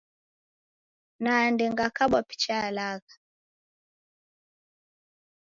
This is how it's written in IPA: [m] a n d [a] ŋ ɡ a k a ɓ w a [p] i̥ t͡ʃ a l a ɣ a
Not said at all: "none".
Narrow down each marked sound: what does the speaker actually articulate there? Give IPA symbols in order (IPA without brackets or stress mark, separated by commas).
n, ɛ, p